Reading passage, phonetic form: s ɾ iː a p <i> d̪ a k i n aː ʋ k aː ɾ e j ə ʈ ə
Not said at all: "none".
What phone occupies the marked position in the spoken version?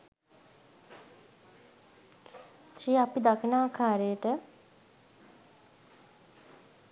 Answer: i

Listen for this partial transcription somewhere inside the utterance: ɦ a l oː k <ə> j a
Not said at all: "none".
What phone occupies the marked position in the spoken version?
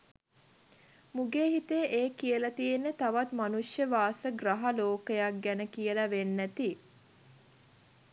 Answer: ə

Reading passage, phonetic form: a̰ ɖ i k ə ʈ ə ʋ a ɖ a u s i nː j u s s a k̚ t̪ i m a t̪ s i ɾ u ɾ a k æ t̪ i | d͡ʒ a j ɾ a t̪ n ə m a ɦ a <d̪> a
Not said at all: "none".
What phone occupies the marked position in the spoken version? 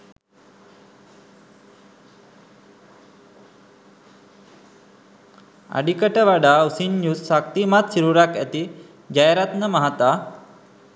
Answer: t̪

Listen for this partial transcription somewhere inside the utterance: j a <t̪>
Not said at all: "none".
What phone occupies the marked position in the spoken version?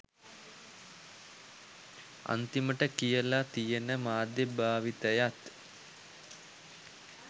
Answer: t̪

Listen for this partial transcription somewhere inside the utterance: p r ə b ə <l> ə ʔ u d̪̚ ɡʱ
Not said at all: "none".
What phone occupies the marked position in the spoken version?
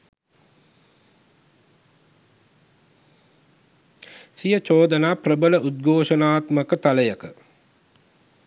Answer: l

